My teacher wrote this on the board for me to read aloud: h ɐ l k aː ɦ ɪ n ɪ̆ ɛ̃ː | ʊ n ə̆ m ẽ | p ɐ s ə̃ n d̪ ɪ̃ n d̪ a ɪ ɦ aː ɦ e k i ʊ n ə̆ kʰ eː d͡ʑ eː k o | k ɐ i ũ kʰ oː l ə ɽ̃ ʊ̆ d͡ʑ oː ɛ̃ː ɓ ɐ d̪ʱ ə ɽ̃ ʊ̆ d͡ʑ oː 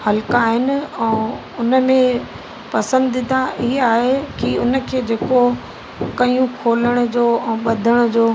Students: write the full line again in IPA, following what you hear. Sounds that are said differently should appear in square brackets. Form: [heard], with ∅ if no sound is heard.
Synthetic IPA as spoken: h ɐ l k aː ɦ ɪ n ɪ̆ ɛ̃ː | ʊ n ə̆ m ẽ | p ɐ s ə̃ n d̪ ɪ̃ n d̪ a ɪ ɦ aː ɦ e k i ʊ n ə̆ kʰ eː d͡ʑ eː k o | k ɐ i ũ kʰ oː l ə ɽ̃ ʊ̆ d͡ʑ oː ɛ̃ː ɓ ɐ d̪ʱ ə ɽ̃ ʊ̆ d͡ʑ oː